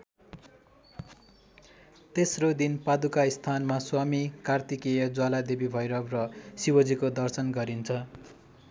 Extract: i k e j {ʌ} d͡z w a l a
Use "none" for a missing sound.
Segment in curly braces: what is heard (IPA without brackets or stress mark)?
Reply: ʌ